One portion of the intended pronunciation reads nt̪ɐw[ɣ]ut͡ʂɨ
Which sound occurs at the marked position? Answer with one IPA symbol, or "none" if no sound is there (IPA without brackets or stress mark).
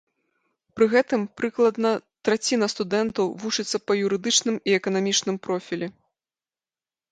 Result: v